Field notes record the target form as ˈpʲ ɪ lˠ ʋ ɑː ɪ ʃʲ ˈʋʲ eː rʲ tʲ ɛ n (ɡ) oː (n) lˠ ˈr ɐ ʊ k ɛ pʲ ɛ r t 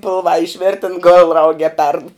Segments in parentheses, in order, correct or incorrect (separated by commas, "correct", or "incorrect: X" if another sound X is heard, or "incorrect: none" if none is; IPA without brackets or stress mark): correct, incorrect: none